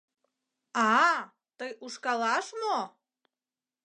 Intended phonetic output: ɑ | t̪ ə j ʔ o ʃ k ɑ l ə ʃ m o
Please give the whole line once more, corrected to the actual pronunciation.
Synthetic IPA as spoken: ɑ | t̪ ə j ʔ u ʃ k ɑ l ɑ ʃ m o